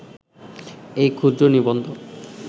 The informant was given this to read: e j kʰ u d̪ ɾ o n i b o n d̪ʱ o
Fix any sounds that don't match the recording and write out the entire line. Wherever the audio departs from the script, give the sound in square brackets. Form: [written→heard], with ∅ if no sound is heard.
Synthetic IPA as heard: e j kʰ u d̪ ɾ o n i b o n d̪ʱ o